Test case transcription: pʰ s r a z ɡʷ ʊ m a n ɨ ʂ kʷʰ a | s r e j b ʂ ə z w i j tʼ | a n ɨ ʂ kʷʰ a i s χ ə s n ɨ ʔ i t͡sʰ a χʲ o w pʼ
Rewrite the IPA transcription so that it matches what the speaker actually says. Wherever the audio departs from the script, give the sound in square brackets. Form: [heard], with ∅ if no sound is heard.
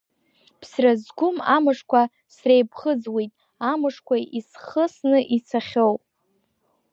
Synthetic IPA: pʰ s r a z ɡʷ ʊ m a [m] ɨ ʂ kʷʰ a | s r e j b [χ] ə [d͡z] w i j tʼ | a [m] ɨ ʂ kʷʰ a i s χ ə s n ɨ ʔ i t͡sʰ a χʲ o w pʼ